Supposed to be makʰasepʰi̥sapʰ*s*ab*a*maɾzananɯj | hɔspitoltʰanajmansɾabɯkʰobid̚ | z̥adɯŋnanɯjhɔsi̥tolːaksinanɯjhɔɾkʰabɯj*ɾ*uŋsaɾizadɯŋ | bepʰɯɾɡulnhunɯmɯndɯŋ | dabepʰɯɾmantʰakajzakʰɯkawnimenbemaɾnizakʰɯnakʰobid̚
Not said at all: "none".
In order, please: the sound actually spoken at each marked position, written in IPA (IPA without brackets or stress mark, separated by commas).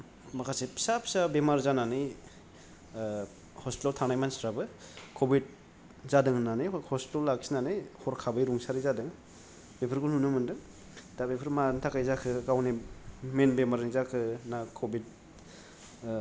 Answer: s, e, ɾ